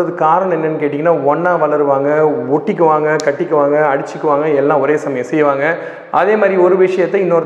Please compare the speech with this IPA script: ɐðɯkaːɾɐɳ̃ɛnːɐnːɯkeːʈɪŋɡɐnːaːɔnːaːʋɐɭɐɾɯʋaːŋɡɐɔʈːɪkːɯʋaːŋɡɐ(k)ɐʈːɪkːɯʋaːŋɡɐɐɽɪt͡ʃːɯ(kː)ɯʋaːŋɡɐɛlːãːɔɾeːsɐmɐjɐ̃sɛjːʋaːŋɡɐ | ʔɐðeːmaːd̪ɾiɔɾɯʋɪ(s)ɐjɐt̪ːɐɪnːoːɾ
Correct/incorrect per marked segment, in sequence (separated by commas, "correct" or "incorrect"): correct, correct, incorrect